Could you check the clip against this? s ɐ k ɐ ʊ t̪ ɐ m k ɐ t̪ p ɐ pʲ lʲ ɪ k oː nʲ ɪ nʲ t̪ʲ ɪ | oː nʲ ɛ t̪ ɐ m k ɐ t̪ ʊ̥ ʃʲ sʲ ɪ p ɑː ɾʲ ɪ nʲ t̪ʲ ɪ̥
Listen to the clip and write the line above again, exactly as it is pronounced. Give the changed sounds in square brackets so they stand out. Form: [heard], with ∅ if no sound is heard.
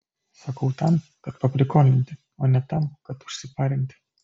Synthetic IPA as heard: s ɐ k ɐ ʊ t̪ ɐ m k ɐ t̪ p ɐ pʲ lʲ ɪ k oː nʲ ɪ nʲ t̪ʲ ɪ | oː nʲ ɛ t̪ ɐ m k ɐ t̪ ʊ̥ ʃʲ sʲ ɪ p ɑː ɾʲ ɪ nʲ t̪ʲ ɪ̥